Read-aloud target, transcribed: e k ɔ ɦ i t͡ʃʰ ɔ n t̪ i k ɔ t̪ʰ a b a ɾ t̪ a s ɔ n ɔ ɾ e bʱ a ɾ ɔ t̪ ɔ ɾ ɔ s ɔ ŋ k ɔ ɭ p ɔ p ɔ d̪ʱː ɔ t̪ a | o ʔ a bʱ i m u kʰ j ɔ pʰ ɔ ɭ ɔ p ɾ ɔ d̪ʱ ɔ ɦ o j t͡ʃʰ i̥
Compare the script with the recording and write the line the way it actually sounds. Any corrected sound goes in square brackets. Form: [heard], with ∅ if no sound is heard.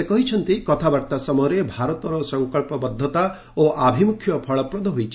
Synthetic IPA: e k ɔ ɦ i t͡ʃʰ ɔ n t̪ i k ɔ t̪ʰ a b a ɾ t̪ a s ɔ [m] ɔ ɾ e bʱ a ɾ ɔ t̪ ɔ ɾ ɔ s ɔ ŋ k ɔ ɭ p ɔ [b] ɔ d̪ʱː ɔ t̪ a | o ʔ a bʱ i m u kʰ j ɔ pʰ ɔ ɭ ɔ p ɾ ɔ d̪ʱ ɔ ɦ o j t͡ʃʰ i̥

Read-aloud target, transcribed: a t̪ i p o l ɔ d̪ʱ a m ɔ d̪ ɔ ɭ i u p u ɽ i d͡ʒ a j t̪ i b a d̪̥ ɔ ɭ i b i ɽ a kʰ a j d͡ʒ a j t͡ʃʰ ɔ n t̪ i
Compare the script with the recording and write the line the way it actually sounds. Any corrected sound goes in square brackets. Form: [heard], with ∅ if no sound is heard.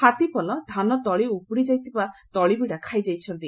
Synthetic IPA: a t̪ i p [ɔ] l ɔ d̪ʱ a [n] ɔ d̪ ɔ ɭ i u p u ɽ i d͡ʒ a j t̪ i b a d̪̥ ɔ ɭ i b i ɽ a kʰ a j d͡ʒ a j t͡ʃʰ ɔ n t̪ i

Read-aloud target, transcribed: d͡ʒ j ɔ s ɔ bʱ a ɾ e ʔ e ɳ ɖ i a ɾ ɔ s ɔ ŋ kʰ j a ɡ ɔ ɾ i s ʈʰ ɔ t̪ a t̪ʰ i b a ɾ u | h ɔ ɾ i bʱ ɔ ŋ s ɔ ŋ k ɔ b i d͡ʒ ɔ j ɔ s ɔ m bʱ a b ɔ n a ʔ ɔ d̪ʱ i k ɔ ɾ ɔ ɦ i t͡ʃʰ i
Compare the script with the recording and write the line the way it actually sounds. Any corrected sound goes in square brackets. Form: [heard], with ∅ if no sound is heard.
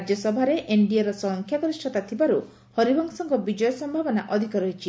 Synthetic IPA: d͡ʒ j ɔ s ɔ bʱ a ɾ e ʔ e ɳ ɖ i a ɾ ɔ s ɔ ŋ kʰ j a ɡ ɔ ɾ i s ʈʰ ɔ t̪ a t̪ʰ i b a ɾ u | h ɔ ɾ i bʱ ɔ ŋ s ɔ ŋ k ɔ b i d͡ʒ ɔ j ɔ s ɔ m bʱ a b ɔ n a ʔ ɔ d̪ʱ i k ɔ ɾ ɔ ɦ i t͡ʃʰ i

